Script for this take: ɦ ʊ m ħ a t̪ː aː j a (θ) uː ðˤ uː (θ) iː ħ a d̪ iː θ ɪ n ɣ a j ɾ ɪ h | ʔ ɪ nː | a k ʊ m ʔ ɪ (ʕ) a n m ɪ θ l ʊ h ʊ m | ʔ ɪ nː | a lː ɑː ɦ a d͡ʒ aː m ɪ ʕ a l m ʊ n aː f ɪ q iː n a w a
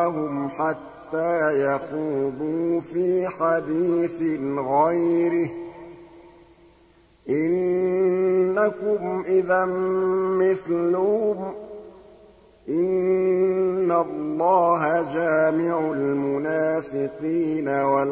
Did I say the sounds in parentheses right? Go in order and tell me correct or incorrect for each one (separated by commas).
incorrect, incorrect, incorrect